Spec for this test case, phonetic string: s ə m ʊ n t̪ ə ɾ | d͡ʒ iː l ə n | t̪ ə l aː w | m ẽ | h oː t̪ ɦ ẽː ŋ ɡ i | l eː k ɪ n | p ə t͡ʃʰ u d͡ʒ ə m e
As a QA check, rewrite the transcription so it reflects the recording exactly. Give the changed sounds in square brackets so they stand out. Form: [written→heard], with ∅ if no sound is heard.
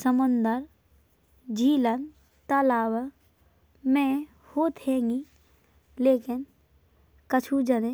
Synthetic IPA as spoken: s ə m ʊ n [t̪→d̪] ə ɾ | d͡ʒ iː l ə n | t̪ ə l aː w | m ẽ | h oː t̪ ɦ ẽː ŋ ɡ i | l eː k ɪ n | [p→k] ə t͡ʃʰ u d͡ʒ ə [m→n] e